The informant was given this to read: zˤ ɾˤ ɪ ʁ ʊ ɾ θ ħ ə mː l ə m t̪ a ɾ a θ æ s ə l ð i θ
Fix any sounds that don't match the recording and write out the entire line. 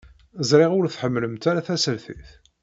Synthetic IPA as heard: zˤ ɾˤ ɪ ʁ ʊ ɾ θ ħ ə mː l ə m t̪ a ɾ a θ æ s ə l θ i θ

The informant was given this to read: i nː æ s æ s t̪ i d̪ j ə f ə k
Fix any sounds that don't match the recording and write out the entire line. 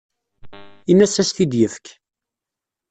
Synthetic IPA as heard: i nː æ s æ s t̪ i d̪ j ə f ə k

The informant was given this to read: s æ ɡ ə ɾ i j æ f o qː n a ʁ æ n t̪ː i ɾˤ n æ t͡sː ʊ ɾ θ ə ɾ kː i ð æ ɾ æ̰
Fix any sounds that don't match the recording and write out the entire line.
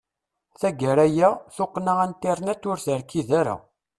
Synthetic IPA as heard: θ æ ɡ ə ɾ æ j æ θ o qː n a ʁ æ n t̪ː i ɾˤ n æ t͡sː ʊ ɾ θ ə ɾ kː i ð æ ɾ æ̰

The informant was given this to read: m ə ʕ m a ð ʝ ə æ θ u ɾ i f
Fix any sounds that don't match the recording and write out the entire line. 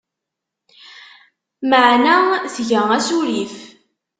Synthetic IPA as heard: m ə ʕ n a θ ʝ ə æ s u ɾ i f

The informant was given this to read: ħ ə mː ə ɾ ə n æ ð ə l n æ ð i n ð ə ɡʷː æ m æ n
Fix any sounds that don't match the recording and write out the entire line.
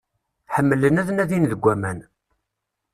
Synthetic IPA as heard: ħ ə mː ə l ə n æ ð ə n æ ð i n ð ə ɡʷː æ m æ n

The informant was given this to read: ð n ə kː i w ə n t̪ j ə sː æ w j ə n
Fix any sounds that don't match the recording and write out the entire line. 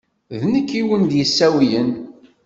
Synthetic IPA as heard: ð n ə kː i w ə n d̪ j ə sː æ w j ə n

